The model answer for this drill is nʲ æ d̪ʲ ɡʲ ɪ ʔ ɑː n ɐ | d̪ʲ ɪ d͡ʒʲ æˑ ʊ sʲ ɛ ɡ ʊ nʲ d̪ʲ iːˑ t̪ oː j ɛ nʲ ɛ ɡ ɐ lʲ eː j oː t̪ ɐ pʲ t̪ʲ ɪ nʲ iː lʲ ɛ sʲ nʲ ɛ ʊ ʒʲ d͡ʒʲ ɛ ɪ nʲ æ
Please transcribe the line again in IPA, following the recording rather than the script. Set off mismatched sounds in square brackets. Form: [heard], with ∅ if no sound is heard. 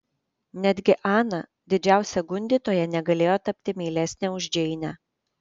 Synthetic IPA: nʲ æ d̪ʲ ɡʲ ɪ ʔ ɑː n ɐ | d̪ʲ ɪ d͡ʒʲ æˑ ʊ sʲ ɛ ɡ ʊ nʲ d̪ʲ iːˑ t̪ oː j ɛ nʲ ɛ ɡ ɐ lʲ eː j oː t̪ ɐ pʲ t̪ʲ ɪ [mʲ] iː lʲ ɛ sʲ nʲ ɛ ʊ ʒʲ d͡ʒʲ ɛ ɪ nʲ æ